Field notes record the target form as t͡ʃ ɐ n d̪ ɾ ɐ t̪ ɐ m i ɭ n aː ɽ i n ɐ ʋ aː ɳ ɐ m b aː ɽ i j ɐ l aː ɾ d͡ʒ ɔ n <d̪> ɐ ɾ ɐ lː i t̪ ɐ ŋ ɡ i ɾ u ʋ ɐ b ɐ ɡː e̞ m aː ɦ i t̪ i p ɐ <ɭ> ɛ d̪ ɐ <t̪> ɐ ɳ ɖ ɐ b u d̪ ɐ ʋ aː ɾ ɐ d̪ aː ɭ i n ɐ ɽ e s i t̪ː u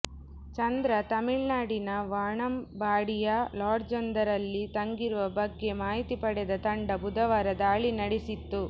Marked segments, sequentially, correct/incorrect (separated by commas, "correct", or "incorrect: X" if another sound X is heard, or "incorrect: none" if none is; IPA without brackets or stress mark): correct, incorrect: ɽ, correct